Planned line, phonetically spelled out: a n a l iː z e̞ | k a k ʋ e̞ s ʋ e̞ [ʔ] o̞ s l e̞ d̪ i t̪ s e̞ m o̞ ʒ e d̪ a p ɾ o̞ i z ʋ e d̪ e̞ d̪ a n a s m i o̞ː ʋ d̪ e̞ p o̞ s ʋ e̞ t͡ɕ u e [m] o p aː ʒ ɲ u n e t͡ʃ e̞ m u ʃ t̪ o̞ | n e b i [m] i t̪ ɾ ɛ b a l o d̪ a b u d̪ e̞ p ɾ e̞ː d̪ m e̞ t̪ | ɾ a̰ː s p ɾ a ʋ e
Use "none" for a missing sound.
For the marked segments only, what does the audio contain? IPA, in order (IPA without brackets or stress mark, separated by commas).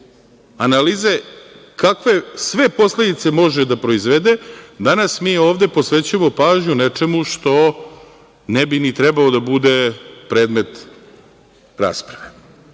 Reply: p, m, n